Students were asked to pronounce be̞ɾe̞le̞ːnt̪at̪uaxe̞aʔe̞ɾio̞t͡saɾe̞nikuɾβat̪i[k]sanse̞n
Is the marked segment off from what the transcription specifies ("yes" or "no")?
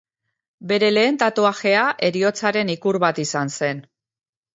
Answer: yes